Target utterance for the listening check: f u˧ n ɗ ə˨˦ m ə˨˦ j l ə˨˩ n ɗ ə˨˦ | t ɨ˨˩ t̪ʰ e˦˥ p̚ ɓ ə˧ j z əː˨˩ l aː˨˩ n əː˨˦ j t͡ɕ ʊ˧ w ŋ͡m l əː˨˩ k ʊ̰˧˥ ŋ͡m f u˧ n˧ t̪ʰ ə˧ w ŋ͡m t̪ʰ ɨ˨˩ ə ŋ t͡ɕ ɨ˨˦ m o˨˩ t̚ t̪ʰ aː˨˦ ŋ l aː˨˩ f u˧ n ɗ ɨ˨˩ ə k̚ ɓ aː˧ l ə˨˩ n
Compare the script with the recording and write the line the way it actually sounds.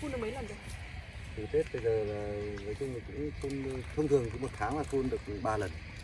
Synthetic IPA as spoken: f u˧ n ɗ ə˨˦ m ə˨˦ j l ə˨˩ n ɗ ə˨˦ | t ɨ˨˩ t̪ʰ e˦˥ t̚ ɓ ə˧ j z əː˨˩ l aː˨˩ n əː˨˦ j t͡ɕ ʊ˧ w ŋ͡m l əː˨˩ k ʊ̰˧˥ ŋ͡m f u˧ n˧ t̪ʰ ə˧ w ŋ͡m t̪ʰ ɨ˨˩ ə ŋ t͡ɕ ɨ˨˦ m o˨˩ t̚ t̪ʰ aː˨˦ ŋ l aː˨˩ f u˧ n ɗ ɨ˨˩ ə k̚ ɓ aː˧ l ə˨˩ n

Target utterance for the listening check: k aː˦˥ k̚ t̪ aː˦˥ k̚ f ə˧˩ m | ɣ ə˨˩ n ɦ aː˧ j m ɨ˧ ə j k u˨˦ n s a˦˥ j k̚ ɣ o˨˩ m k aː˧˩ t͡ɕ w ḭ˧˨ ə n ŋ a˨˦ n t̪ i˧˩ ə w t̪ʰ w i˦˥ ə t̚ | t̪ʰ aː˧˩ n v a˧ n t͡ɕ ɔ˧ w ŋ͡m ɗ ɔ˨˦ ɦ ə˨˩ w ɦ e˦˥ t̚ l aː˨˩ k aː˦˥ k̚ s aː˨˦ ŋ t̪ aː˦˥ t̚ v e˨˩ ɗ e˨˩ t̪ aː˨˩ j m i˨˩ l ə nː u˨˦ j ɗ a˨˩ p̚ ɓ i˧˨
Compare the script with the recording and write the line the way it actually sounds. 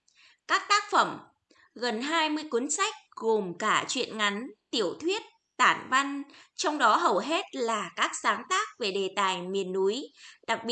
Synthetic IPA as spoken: k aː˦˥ k̚ t̪ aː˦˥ k̚ f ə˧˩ m | ɣ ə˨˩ n ɦ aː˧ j m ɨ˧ ə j k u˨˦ n s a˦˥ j k̚ ɣ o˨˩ m k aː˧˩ t͡ɕ w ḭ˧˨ ə n ŋ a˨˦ n t̪ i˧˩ ə w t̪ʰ w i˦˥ ə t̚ | t̪ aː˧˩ n v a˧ n t͡ɕ ɔ˧ w ŋ͡m ɗ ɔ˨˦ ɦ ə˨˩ w ɦ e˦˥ t̚ l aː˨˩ k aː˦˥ k̚ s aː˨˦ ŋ t̪ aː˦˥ k̚ v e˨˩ ɗ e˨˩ t̪ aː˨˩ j m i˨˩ ə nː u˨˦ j ɗ a˨˩ k̚ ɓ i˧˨

